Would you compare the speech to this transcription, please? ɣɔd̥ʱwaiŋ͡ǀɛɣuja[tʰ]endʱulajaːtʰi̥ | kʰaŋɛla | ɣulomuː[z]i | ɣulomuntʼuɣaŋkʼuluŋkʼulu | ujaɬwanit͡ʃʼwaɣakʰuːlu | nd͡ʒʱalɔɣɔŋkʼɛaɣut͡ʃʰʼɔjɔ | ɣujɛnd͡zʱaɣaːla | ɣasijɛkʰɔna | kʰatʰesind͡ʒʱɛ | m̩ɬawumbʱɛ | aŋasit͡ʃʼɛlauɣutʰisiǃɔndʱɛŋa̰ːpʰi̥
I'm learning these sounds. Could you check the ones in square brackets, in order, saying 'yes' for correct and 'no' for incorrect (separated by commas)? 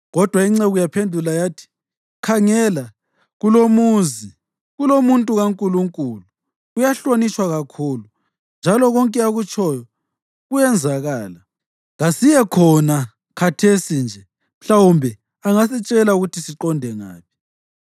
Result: no, yes